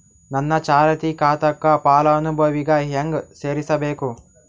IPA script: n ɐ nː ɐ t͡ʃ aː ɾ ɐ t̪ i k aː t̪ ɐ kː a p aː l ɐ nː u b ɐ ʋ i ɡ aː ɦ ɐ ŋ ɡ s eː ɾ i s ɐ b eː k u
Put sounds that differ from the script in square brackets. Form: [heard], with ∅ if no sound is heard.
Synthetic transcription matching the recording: n ɐ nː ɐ t͡ʃ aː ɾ ɐ t̪ i k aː t̪ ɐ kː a p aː l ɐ [n] u b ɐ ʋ i ɡ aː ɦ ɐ ŋ ɡ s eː ɾ i s ɐ b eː k u